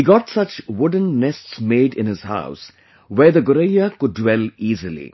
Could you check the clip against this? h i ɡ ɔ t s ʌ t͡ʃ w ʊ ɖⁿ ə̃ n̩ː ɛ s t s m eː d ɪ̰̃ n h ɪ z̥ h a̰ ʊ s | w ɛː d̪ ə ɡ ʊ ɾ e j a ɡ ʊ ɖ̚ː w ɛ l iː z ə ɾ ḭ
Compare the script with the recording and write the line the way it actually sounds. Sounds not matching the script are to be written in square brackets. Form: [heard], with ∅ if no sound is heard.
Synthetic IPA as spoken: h i ɡ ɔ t s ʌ t͡ʃ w ʊ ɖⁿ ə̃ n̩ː ɛ s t s m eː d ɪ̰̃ n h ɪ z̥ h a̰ ʊ s | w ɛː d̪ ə ɡ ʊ ɾ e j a [k] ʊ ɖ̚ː w ɛ l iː z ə [l] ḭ